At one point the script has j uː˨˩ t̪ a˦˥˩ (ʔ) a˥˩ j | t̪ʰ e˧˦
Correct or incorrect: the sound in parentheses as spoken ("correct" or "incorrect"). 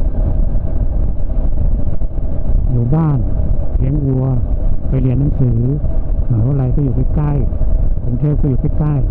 incorrect